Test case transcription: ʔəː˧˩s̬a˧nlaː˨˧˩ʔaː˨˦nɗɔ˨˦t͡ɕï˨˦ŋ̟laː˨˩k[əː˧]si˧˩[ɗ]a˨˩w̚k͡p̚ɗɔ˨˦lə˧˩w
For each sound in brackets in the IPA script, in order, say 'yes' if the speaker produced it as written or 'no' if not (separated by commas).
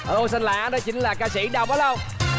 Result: no, yes